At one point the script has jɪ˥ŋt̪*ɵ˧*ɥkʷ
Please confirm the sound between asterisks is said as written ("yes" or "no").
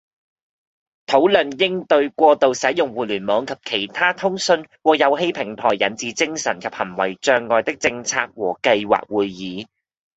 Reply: yes